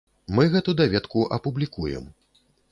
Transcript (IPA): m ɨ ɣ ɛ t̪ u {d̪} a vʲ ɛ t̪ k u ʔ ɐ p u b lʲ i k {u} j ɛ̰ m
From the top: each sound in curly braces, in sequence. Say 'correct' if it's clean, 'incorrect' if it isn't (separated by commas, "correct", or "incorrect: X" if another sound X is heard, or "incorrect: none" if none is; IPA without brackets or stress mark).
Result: correct, correct